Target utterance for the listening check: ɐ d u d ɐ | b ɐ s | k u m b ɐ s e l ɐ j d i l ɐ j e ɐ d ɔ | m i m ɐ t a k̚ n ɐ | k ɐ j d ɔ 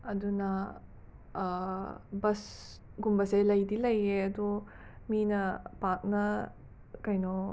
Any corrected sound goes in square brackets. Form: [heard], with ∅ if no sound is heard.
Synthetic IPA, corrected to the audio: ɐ d u [n] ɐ | b ɐ s | [ɡ] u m b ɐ s e l ɐ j d i l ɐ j e ɐ d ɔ | m i [n] ɐ [p] a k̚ n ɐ | k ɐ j [n] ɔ

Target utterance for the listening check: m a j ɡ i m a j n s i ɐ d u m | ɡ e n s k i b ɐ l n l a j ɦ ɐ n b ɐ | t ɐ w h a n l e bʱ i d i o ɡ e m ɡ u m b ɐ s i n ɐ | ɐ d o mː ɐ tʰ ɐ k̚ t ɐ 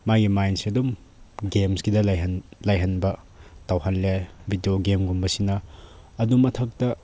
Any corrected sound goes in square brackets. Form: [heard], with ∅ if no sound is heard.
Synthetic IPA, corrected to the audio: m a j ɡ i m a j n s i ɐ d u m | ɡ e [m] s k i [d] ɐ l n l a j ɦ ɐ n b ɐ | t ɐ w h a n l e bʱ i d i o ɡ e m ɡ u m b ɐ s i n ɐ | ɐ d [u] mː ɐ tʰ ɐ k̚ t ɐ

